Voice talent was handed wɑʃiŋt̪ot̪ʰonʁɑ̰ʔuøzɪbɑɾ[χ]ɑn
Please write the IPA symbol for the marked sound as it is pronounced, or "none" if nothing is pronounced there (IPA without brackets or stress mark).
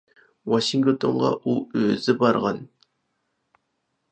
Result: ʁ